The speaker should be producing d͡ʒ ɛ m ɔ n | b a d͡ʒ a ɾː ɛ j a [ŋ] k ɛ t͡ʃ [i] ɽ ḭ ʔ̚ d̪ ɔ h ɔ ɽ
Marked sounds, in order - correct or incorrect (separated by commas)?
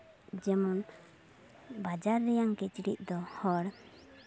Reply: correct, correct